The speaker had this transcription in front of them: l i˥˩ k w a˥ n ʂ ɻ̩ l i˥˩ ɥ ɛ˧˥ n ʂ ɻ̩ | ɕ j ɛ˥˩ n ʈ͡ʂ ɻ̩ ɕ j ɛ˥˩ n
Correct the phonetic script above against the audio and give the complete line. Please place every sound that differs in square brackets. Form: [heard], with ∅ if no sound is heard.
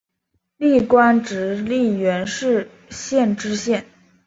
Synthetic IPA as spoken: l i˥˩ k w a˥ n [ʈ͡ʂ] ɻ̩ l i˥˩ ɥ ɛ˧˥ n ʂ ɻ̩ | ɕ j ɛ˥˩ n ʈ͡ʂ ɻ̩ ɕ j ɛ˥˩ n